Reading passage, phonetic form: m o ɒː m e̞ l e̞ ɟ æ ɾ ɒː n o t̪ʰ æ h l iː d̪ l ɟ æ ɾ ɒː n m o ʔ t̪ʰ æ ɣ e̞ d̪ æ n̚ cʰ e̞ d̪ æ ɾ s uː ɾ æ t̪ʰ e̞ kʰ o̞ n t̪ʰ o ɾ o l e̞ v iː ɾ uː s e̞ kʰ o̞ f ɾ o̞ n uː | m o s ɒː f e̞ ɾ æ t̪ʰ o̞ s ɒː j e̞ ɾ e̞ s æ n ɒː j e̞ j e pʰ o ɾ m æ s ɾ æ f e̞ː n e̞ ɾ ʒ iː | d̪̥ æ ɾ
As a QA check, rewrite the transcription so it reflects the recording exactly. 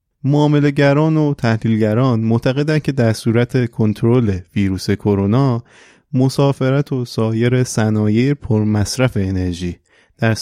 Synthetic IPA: m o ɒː m e̞ l e̞ ɟ æ ɾ ɒː n o t̪ʰ æ h l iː l ɟ æ ɾ ɒː n m o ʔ t̪ʰ æ ɣ e̞ d̪ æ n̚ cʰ e̞ d̪ æ ɾ s uː ɾ æ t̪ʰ e̞ kʰ o̞ n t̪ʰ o ɾ o l e̞ v iː ɾ uː s e̞ kʰ o̞ ɾ o̞ n ɒː | m o s ɒː f e̞ ɾ æ t̪ʰ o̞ s ɒː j e̞ ɾ e̞ s æ n ɒː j e̞ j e pʰ o ɾ m æ s ɾ æ f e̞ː n e̞ ɾ ʒ iː | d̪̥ æ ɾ